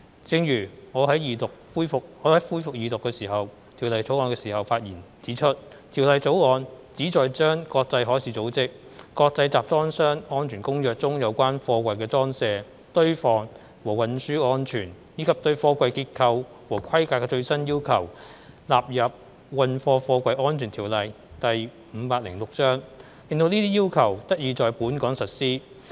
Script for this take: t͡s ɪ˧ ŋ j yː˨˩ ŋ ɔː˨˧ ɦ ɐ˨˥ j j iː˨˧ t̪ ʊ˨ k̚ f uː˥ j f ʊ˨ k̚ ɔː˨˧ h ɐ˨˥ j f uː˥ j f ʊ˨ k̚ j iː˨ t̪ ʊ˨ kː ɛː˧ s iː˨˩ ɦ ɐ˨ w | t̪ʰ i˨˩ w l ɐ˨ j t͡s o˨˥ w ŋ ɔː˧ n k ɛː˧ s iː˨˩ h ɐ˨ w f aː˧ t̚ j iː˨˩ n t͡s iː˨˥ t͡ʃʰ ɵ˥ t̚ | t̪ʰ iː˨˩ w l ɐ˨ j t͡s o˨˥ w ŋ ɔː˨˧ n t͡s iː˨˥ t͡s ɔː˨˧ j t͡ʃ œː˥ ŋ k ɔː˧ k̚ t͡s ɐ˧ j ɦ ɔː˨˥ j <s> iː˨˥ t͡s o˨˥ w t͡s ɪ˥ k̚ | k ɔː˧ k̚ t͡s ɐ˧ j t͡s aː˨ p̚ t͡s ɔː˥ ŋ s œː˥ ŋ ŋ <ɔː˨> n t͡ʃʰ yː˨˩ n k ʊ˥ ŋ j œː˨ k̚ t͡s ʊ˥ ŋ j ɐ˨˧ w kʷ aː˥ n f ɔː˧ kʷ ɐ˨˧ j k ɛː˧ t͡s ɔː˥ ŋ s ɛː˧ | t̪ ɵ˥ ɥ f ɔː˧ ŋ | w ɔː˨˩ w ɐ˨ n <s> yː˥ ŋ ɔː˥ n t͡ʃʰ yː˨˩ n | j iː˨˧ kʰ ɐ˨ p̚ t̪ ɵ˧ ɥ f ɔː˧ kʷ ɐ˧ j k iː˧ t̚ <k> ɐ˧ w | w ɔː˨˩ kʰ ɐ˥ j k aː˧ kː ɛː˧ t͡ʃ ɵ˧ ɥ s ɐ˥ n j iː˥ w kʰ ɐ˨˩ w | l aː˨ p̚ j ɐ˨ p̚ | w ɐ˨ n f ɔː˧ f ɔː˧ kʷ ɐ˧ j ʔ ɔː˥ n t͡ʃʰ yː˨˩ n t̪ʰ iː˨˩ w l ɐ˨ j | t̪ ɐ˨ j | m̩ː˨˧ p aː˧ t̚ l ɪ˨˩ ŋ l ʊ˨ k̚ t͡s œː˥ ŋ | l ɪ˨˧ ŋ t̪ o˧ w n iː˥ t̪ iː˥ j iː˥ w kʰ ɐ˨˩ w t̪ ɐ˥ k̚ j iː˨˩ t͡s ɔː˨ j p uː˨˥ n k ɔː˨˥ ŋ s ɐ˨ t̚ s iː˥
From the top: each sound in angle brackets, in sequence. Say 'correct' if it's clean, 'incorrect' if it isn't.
correct, incorrect: ɔː˥, correct, incorrect: kʰ

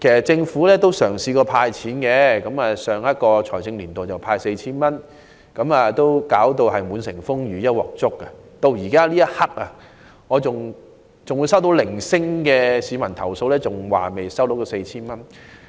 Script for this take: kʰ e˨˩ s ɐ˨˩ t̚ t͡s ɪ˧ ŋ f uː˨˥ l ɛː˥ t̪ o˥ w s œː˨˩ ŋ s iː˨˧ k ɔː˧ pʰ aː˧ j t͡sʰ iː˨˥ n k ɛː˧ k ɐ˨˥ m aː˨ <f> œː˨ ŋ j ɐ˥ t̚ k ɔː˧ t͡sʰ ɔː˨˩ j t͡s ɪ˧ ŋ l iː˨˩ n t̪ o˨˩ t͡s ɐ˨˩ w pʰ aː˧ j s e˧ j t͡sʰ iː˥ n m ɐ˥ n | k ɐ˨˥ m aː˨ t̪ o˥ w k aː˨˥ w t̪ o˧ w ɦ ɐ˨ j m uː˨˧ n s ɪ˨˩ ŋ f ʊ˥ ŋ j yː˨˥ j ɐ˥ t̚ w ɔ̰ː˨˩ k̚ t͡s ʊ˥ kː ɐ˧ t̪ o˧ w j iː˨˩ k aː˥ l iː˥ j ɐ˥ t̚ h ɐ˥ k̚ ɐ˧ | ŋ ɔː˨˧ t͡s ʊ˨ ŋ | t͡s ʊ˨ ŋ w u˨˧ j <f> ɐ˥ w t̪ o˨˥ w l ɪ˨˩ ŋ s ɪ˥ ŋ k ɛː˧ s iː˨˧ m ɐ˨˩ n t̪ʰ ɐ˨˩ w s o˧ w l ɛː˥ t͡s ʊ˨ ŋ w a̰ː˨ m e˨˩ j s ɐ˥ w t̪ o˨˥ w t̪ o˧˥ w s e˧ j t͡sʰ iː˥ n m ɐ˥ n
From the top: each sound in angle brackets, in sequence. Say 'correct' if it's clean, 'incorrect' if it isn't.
incorrect: s, incorrect: s

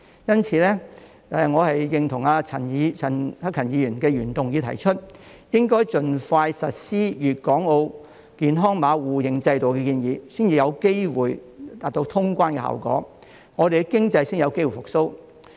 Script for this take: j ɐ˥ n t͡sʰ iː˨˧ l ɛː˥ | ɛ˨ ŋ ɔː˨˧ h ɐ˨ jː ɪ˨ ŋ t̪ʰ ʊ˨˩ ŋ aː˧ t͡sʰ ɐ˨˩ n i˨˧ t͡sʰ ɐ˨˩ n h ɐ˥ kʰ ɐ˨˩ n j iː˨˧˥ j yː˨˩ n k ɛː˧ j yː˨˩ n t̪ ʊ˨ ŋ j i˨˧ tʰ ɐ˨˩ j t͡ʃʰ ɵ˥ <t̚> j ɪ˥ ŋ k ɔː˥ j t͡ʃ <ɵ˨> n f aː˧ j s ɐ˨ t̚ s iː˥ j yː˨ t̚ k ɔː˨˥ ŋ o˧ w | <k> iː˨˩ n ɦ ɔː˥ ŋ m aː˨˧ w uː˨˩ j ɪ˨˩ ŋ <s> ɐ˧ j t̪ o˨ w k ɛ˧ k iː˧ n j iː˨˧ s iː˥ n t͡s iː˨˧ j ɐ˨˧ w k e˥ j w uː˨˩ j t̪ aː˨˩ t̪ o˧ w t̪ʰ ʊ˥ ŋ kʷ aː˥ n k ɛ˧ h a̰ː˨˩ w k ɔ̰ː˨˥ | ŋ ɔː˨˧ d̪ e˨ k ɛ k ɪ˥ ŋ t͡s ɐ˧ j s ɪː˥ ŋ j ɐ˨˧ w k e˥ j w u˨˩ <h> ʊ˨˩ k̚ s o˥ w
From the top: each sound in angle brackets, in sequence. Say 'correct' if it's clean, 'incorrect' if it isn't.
correct, correct, correct, incorrect: t͡s, incorrect: f

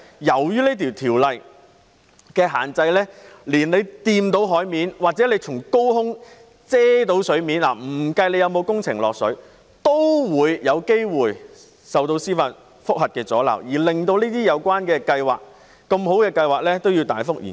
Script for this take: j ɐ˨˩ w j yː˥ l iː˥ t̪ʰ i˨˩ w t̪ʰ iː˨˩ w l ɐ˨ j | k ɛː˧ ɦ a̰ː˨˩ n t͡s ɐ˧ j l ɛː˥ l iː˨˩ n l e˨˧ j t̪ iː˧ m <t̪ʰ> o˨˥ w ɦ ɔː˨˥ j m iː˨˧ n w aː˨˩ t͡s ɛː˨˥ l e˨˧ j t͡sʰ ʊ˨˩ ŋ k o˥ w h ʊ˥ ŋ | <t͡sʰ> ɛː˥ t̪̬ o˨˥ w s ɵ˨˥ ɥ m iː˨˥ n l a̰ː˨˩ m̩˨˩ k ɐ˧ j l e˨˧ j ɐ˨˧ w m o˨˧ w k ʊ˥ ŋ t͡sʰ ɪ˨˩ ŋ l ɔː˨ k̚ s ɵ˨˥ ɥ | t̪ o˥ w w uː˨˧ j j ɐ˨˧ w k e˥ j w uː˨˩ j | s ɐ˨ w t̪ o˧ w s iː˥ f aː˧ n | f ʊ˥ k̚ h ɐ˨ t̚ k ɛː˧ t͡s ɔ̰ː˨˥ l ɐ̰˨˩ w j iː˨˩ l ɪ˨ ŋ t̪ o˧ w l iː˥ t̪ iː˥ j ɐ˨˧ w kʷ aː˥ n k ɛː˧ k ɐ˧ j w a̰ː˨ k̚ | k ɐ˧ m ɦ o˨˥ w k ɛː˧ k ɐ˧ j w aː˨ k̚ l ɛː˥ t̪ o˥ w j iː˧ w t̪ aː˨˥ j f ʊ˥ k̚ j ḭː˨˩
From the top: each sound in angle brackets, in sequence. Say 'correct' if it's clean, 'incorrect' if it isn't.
incorrect: t̪, incorrect: t͡s

